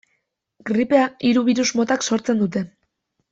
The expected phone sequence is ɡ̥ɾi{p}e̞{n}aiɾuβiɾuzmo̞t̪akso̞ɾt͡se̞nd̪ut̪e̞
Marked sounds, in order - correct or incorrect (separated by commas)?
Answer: correct, incorrect